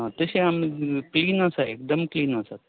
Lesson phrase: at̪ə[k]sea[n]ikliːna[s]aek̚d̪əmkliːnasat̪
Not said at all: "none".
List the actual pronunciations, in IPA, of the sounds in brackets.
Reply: none, m, s

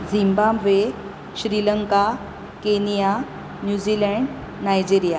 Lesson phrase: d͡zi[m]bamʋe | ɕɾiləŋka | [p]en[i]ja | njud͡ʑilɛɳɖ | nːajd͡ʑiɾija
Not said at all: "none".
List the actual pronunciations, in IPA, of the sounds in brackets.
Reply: m, k, i

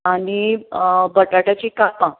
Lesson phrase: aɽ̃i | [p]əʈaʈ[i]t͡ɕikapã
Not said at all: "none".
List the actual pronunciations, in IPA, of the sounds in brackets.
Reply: b, a

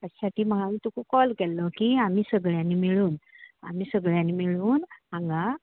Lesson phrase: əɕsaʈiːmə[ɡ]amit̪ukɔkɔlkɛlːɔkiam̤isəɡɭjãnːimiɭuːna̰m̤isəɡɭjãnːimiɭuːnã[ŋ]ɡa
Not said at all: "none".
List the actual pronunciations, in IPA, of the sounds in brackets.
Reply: ɡ, ŋ

